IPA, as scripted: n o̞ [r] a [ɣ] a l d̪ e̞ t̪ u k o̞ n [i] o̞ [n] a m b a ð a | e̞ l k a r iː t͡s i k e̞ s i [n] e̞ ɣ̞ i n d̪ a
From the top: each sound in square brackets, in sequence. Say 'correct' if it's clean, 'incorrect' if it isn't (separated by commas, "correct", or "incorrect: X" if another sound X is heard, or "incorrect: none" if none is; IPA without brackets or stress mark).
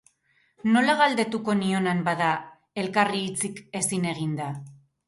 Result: incorrect: l, correct, correct, correct, correct